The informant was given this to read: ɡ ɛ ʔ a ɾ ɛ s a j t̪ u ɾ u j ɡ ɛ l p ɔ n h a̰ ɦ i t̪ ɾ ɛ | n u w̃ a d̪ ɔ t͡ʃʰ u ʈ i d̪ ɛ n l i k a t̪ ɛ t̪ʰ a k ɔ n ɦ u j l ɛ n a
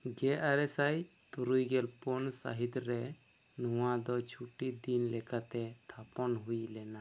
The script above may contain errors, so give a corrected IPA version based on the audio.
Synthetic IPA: ɡ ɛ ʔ a ɾ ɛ s a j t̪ u ɾ u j ɡ ɛ l p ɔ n s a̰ ɦ i t̪ ɾ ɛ | n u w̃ a d̪ ɔ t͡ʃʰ u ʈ i d̪ i n l ɛ k a t̪ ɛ t̪ʰ a p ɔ n ɦ u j l ɛ n a